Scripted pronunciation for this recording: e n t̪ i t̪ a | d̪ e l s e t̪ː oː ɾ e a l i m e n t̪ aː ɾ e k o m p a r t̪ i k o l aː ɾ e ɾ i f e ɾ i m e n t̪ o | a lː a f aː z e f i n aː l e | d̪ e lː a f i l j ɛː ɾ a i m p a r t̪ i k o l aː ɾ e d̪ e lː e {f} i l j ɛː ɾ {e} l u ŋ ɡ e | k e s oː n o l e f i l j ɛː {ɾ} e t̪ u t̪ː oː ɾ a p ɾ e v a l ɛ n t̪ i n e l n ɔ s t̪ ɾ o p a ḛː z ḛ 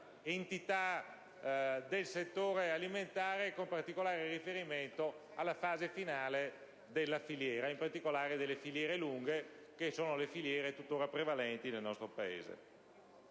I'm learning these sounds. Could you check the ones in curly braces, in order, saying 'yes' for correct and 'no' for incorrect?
yes, yes, yes

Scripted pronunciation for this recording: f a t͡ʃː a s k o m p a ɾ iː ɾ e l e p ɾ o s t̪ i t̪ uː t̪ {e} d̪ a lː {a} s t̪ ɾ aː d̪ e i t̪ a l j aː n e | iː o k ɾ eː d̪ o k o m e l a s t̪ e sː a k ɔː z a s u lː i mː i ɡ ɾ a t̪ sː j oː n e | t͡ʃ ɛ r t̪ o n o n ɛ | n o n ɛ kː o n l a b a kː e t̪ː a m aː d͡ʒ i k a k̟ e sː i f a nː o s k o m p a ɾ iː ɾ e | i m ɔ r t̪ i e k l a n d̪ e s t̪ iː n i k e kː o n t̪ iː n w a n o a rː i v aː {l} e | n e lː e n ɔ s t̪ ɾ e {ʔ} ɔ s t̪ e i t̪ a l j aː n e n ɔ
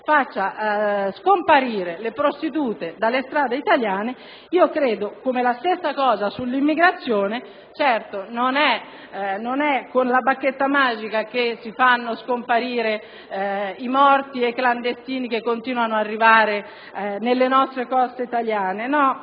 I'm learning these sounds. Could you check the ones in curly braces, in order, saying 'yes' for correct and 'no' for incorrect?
yes, no, no, no

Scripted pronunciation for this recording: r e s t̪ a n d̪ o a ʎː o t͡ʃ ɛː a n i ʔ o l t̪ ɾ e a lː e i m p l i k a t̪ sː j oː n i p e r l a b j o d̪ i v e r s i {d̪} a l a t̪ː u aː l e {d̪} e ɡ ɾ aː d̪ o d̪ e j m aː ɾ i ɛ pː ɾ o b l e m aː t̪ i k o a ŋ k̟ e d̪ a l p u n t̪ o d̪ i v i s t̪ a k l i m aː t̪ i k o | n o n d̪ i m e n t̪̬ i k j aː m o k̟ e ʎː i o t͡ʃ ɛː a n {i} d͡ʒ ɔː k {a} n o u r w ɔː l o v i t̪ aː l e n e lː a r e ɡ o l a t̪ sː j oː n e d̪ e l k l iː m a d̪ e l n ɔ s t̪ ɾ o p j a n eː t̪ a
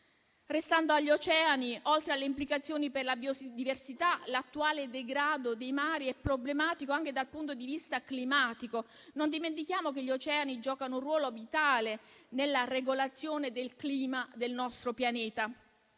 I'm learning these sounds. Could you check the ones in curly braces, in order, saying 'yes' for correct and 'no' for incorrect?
no, yes, yes, yes

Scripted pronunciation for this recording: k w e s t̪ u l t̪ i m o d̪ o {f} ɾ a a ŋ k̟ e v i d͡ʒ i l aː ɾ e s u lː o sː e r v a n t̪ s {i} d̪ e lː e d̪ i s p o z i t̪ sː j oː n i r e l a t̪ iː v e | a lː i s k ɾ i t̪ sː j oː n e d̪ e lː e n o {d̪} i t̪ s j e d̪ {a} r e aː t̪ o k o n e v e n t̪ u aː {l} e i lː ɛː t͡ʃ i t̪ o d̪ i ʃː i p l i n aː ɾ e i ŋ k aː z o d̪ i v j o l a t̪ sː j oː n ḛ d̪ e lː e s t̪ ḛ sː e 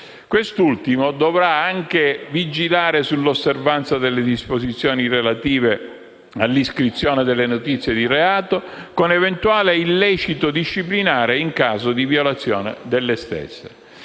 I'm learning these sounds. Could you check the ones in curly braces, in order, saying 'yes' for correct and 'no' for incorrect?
no, no, no, no, yes

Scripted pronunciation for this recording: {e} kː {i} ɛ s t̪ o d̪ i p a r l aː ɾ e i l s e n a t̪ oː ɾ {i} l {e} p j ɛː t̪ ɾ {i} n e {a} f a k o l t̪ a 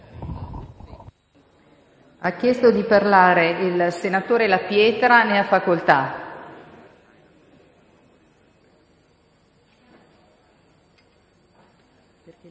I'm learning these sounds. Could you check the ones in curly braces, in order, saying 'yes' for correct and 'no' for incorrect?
no, no, no, no, no, yes

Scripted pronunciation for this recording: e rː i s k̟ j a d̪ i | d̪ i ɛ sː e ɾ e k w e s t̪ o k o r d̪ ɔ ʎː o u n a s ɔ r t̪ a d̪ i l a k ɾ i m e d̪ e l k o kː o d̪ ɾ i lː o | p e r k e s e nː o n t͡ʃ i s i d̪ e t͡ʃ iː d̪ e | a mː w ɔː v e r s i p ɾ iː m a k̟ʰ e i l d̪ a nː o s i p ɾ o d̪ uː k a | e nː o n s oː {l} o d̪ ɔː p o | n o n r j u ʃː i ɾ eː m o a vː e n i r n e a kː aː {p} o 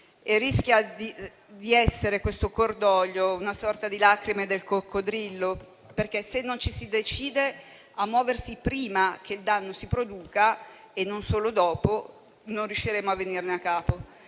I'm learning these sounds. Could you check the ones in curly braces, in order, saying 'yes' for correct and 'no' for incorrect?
yes, yes

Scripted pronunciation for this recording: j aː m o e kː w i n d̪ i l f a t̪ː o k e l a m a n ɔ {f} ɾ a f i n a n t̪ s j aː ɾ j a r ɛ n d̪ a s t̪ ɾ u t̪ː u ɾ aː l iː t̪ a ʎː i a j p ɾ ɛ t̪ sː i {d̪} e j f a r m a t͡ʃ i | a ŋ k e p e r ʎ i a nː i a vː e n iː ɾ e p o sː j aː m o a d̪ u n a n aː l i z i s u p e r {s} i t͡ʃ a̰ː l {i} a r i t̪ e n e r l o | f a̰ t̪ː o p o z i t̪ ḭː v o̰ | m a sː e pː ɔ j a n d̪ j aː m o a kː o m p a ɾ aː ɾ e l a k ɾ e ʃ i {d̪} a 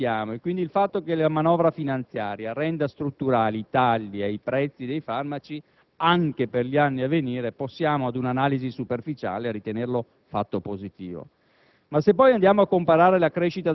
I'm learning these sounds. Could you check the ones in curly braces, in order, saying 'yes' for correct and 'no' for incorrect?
no, yes, no, no, no

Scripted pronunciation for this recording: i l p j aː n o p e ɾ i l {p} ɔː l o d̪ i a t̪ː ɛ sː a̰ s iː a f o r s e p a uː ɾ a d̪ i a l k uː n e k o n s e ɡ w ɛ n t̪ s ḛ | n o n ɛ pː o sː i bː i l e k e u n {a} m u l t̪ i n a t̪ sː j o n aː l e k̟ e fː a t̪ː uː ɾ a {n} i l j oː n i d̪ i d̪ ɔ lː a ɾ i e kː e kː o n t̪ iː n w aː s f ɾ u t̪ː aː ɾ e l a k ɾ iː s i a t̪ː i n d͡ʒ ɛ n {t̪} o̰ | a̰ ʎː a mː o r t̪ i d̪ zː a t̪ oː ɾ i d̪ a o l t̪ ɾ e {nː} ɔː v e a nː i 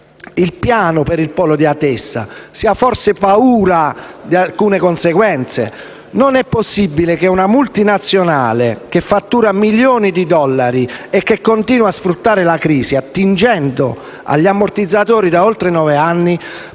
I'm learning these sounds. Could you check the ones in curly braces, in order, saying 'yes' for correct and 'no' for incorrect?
yes, yes, no, no, no

